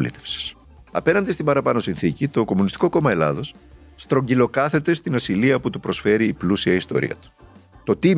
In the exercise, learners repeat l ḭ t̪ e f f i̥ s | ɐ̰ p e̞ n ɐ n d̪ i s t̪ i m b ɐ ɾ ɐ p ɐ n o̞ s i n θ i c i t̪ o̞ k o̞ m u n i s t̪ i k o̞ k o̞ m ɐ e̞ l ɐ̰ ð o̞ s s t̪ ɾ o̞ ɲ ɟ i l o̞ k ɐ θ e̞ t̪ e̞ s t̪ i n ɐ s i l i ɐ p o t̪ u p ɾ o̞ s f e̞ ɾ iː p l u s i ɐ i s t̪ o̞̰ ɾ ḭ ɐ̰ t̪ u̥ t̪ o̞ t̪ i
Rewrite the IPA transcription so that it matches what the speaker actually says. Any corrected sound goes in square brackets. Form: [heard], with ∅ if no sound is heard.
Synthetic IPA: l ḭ t̪ e f [s] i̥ s | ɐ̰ p e̞ n ɐ n d̪ i s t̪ i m b ɐ ɾ ɐ p ɐ n o̞ s i n θ i c i t̪ o̞ k o̞ m u n i s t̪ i k o̞ k o̞ m ɐ e̞ l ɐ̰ ð o̞ s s t̪ ɾ o̞ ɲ ɟ i l o̞ k ɐ θ e̞ t̪ e̞ s t̪ i n ɐ s i l i ɐ p [u] t̪ u p ɾ o̞ s f e̞ ɾ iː p l u s i ɐ i s t̪ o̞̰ ɾ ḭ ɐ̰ t̪ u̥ t̪ o̞ t̪ i